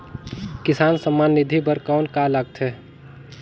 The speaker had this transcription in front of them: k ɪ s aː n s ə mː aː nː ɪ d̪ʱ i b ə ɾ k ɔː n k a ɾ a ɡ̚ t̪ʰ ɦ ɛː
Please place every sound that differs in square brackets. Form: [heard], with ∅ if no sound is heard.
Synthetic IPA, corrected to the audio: k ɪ s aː n s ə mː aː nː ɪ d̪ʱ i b ə ɾ k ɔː n k a [l] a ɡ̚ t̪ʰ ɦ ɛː